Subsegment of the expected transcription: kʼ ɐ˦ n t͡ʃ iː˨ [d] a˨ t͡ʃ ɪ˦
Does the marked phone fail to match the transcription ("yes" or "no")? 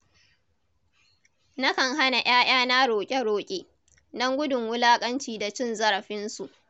no